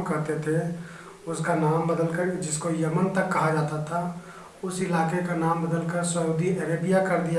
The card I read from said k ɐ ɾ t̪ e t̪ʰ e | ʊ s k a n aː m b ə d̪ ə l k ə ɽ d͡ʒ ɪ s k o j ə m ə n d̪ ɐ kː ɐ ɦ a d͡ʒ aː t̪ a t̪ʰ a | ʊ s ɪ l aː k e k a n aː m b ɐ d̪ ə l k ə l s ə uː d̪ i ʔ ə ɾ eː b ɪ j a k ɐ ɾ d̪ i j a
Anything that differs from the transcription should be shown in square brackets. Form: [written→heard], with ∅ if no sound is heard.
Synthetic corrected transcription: k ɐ ɾ t̪ e t̪ʰ e | ʊ s k a n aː m b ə d̪ ə l k ə [ɽ→ɾ] d͡ʒ ɪ s k o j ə m ə n [d̪→t̪] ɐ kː ɐ ɦ a d͡ʒ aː t̪ a t̪ʰ a | ʊ s ɪ l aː k e k a n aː m b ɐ d̪ ə l k ə [l→ɾ] s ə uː d̪ i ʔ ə ɾ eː b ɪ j a k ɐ ɾ d̪ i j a